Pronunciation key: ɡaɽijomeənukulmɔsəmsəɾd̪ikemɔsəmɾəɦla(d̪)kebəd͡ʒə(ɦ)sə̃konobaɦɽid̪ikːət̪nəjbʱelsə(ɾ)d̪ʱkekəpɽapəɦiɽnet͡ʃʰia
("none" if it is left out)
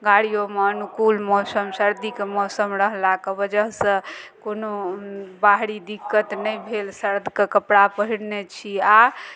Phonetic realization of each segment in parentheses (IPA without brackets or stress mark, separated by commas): none, ɦ, ɾ